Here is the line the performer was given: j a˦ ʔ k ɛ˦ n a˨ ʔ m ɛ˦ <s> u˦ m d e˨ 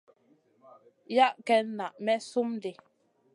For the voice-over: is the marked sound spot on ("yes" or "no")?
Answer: yes